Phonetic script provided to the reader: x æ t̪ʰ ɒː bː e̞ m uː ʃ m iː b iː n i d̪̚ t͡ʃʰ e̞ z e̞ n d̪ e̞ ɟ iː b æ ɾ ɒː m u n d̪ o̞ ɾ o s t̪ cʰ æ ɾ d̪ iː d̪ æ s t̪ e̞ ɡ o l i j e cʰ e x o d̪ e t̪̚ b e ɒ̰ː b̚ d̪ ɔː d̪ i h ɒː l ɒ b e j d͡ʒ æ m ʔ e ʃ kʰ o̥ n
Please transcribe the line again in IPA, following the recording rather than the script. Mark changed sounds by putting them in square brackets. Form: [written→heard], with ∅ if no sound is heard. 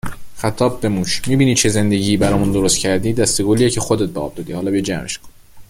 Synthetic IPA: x æ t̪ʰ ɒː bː e̞ m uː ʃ m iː b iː n i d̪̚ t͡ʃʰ e̞ z e̞ n d̪ e̞ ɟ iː b æ ɾ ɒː m u n d̪ o̞ ɾ o s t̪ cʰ æ ɾ d̪ iː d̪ æ s t̪ e̞ ɡ o l i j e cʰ e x o d̪ e t̪̚ b e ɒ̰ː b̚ d̪ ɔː d̪ i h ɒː l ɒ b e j d͡ʒ æ m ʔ e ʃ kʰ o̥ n